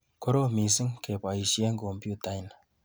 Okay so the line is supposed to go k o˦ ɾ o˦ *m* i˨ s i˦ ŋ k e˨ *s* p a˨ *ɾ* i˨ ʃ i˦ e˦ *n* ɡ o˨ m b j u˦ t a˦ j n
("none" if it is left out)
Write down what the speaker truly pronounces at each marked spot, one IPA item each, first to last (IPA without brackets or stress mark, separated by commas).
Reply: m, none, none, ŋ